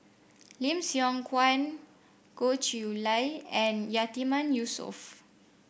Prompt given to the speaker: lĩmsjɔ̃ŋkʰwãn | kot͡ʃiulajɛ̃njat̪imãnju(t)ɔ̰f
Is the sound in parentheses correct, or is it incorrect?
incorrect: s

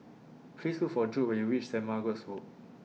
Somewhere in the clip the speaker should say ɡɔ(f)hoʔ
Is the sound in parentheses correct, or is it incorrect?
incorrect: s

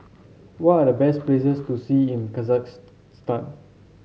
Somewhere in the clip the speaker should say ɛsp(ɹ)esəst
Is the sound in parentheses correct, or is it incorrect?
incorrect: l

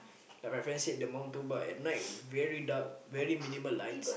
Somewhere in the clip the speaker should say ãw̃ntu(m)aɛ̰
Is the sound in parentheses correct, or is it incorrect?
incorrect: b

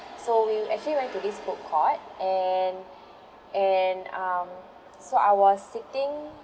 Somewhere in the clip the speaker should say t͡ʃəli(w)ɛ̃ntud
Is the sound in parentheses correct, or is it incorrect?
correct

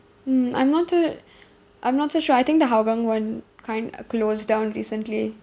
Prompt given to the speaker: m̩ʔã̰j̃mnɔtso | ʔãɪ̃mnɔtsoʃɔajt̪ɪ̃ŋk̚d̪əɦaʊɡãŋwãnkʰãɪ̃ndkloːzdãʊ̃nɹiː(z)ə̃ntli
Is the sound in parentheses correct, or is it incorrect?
incorrect: s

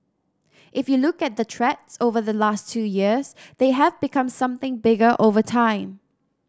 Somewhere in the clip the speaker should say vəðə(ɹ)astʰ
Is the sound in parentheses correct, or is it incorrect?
incorrect: l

